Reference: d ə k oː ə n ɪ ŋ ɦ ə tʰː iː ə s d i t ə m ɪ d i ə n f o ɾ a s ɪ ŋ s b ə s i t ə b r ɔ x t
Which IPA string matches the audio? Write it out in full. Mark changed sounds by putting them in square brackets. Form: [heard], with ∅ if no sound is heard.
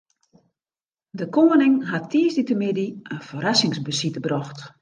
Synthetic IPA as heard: d ə k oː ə n ɪ ŋ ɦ [a] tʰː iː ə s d i t ə m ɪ d i ə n f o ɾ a s ɪ ŋ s b ə s i t ə b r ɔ x t